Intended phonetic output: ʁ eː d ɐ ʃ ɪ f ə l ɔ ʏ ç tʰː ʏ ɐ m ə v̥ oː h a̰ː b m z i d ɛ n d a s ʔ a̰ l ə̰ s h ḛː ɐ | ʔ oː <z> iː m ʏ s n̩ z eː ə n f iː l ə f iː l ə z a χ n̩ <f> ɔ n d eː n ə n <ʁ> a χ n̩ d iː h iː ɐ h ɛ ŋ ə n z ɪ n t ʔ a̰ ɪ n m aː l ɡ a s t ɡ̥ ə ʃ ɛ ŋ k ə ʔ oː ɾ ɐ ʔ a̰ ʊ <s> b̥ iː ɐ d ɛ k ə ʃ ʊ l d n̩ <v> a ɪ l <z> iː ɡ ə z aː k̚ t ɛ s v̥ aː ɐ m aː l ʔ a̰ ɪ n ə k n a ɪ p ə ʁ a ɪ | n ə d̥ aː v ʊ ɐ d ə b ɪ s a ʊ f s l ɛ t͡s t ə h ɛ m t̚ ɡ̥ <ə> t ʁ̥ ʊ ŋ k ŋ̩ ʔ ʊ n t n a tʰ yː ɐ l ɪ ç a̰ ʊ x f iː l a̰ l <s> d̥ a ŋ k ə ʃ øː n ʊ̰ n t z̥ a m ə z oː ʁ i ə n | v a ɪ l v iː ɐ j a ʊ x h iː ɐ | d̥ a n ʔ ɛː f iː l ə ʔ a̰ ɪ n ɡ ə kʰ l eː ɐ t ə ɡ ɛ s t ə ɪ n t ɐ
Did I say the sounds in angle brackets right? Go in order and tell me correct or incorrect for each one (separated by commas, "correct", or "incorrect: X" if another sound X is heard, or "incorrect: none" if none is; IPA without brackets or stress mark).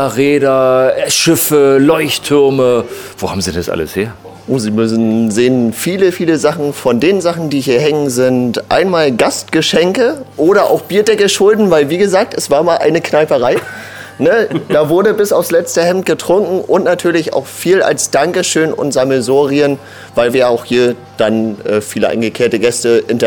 correct, correct, incorrect: z, incorrect: x, correct, incorrect: v, correct, correct